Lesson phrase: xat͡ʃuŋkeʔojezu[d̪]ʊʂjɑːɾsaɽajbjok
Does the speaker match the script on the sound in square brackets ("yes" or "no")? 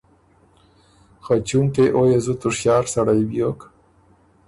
no